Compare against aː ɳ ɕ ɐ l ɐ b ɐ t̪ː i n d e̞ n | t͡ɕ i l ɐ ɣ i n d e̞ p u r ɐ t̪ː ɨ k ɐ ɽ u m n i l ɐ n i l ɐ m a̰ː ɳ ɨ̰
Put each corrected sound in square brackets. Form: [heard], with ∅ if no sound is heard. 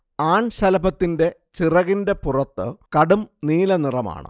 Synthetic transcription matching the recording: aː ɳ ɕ ɐ l ɐ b ɐ t̪ː i n d e̞ [∅] | t͡ɕ i [r] ɐ ɣ i n d e̞ p u r ɐ t̪ː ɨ k ɐ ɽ u m n [iː] l ɐ n i [r] ɐ m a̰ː ɳ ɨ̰